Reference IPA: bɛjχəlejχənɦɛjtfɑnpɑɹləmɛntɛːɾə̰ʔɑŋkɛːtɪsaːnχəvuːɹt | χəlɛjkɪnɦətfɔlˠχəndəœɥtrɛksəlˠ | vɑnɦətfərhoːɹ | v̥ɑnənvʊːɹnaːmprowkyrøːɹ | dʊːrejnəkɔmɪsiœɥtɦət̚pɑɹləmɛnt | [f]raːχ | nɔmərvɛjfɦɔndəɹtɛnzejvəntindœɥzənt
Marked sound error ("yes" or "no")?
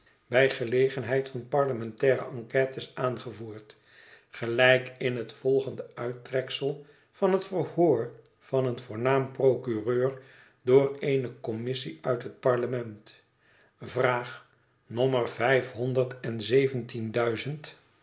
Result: yes